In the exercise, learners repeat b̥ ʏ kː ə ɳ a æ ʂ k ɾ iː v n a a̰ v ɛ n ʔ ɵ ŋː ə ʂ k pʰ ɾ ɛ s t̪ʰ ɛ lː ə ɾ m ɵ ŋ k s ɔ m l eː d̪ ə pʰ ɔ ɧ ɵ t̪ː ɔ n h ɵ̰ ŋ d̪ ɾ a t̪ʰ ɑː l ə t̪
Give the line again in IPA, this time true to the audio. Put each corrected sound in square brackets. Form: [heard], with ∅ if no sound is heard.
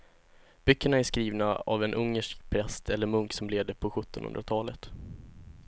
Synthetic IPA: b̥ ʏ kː ə ɳ a æ ʂ k ɾ iː v n a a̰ v ɛ n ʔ ɵ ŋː ə ʂ k pʰ ɾ ɛ s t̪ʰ ɛ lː ə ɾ m ɵ ŋ k s ɔ m l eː d̪ ə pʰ ɔ ɧ ɵ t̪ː ɔ n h ɵ̰ [n] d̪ ɾ a t̪ʰ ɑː l ə t̪